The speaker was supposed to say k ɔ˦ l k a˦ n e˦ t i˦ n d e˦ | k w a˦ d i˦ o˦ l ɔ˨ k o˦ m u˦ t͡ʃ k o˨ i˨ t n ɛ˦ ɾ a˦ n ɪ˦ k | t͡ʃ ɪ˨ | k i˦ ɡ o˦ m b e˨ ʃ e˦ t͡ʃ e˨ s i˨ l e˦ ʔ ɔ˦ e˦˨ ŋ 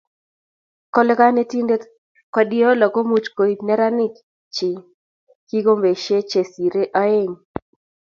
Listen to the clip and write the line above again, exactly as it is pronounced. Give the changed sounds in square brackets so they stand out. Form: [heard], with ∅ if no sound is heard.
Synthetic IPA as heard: k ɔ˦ l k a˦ n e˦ t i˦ n d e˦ | k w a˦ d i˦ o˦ l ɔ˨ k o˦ m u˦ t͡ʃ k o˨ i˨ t n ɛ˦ ɾ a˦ n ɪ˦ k | t͡ʃ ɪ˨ | k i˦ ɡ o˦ m b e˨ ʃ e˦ t͡ʃ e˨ s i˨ [ɾ] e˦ ʔ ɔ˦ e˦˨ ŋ